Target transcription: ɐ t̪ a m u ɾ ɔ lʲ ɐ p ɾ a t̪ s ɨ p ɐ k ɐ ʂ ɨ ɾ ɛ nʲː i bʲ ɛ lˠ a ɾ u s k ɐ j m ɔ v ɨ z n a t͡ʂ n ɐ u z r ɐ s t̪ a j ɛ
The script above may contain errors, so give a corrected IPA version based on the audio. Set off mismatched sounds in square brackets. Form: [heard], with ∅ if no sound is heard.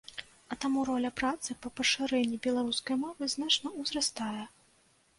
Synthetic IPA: ɐ t̪ a m u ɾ ɔ lʲ ɐ p ɾ a t̪ s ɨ p ɐ [p] ɐ ʂ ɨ ɾ ɛ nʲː i bʲ ɛ lˠ a ɾ u s k ɐ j m ɔ v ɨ z n a t͡ʂ n ɐ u z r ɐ s t̪ a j ɛ